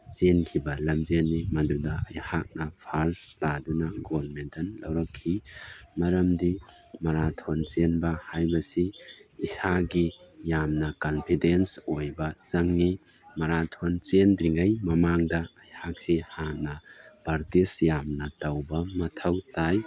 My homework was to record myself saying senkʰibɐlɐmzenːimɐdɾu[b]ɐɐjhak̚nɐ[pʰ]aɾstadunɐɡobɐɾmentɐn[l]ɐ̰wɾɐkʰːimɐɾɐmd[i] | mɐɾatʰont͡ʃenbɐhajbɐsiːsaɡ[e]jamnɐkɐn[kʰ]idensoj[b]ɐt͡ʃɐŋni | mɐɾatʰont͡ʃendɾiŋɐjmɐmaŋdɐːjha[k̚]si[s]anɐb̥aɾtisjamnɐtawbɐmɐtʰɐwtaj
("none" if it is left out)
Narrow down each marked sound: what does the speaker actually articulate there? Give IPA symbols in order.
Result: d, pʰ, l, i, i, pʰ, b, k̚, h

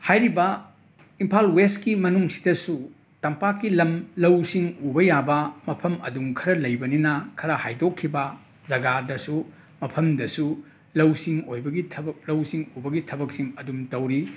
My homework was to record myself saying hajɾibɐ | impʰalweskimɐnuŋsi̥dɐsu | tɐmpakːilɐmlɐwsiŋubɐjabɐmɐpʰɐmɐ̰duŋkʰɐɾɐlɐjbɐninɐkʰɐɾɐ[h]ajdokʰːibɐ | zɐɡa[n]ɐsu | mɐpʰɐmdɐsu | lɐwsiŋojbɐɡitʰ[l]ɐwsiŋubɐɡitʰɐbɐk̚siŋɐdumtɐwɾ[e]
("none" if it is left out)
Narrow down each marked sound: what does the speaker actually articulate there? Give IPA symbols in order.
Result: h, d, l, i

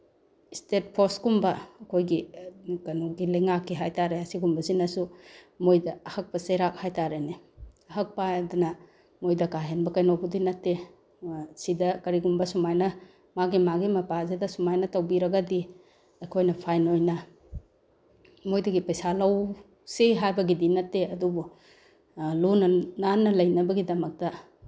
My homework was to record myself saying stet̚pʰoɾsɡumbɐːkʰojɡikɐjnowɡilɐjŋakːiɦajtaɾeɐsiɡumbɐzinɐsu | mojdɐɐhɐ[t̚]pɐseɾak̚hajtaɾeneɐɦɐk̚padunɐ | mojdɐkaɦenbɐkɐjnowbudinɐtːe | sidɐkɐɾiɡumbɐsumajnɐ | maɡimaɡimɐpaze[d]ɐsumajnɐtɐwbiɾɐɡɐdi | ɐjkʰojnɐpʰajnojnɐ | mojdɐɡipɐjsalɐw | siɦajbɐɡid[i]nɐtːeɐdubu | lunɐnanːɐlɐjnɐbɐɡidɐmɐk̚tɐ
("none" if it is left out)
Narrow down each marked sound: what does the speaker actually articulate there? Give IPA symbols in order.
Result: k̚, d, i

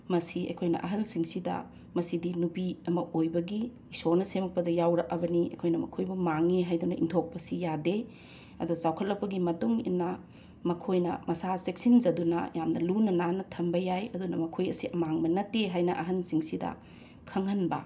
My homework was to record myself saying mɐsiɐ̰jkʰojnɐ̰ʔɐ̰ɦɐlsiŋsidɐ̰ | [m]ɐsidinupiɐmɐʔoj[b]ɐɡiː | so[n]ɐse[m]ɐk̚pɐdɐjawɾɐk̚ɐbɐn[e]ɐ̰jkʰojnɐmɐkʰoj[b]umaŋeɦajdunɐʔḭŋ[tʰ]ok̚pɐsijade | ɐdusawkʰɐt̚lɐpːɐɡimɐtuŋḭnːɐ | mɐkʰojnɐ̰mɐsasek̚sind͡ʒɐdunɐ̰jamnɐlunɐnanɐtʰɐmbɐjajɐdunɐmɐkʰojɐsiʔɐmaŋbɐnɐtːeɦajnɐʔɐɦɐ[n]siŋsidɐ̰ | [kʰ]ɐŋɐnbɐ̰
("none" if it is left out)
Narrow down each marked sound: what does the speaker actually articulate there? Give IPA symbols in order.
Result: m, b, n, m, i, b, tʰ, n, kʰ

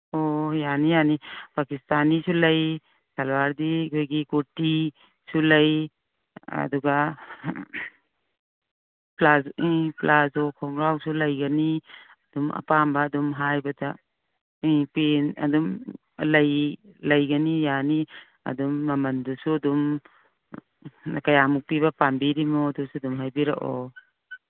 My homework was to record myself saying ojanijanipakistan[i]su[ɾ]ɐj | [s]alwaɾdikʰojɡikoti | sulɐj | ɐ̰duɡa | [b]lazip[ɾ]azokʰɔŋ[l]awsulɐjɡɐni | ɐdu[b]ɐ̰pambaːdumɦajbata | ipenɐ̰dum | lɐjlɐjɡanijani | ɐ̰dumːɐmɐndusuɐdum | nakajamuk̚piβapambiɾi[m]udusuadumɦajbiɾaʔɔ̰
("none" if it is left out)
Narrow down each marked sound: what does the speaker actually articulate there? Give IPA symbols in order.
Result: i, l, s, p, l, ɾ, m, m

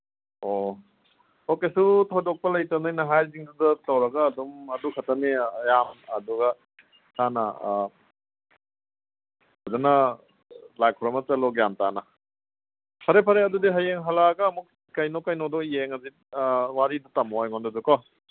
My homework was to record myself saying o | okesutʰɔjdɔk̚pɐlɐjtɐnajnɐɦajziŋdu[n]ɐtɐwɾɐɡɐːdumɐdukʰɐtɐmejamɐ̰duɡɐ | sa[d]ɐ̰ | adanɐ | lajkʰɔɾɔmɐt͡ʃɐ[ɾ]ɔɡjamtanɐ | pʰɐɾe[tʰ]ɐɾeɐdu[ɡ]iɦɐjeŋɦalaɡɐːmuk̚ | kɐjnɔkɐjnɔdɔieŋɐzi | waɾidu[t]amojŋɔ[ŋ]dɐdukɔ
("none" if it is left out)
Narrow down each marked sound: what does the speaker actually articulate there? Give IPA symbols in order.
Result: d, n, l, pʰ, d, t, n

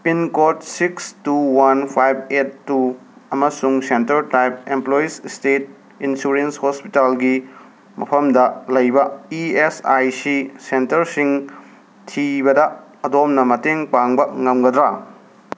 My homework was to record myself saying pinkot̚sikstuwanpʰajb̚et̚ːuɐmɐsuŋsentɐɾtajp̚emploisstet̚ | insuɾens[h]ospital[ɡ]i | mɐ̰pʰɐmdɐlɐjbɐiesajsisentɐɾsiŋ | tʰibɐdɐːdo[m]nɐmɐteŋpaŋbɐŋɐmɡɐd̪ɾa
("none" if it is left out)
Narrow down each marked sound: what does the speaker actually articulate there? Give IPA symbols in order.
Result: h, ɡ, m

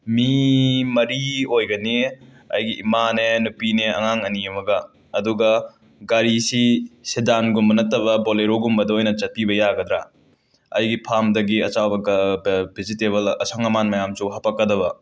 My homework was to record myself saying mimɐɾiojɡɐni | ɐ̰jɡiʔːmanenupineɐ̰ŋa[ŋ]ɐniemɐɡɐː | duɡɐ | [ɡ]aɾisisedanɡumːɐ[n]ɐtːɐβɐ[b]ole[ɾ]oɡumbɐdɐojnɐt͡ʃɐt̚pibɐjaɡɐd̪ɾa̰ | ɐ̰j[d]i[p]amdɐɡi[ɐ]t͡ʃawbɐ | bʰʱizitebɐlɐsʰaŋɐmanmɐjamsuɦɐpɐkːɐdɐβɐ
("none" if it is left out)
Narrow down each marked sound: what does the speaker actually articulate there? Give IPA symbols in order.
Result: ŋ, ɡ, n, b, ɾ, ɡ, pʰ, ɐ

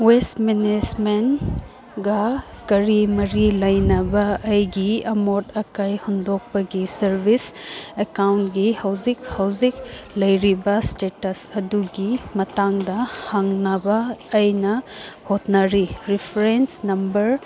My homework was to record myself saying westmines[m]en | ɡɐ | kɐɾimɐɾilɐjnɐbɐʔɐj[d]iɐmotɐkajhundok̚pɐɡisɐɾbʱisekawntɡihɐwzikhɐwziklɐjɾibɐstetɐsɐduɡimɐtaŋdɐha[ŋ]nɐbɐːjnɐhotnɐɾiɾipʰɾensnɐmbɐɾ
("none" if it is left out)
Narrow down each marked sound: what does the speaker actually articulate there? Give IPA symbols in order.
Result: m, ɡ, ŋ

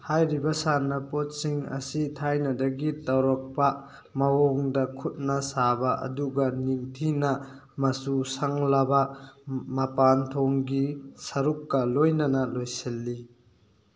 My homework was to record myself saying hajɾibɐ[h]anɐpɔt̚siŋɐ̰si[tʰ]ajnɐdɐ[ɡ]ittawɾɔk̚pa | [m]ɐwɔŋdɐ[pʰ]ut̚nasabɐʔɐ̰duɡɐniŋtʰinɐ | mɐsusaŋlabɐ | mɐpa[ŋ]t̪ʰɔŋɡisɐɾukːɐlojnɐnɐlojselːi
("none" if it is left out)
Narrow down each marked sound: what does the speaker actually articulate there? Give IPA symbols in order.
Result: s, tʰ, ɡ, m, kʰ, n

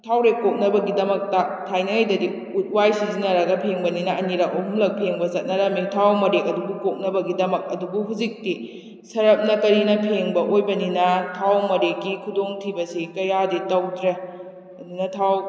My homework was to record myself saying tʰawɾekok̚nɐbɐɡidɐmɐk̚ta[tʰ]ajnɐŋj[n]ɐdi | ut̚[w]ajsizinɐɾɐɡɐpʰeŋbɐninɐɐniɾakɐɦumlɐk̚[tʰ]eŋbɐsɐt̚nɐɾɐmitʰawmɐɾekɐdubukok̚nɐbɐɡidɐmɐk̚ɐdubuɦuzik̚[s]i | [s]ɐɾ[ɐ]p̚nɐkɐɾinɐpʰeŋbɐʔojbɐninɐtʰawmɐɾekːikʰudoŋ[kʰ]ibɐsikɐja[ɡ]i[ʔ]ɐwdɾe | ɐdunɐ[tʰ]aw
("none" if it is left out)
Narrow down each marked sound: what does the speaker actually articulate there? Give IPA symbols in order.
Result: tʰ, d, w, pʰ, t, s, ɐ, tʰ, d, t, tʰ

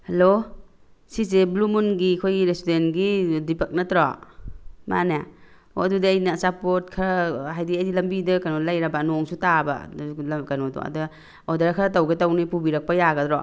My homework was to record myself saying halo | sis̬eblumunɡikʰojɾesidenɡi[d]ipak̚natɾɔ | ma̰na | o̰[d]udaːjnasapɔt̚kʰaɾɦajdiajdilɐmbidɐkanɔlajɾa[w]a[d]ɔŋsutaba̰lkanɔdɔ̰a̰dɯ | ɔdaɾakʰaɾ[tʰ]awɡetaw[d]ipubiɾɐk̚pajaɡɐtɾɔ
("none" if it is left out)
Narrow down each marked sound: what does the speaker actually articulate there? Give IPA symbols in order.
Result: d, d, b, n, t, n

